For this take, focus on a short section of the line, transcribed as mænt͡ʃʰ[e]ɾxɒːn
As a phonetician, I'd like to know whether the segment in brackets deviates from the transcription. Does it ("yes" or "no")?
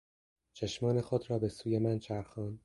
yes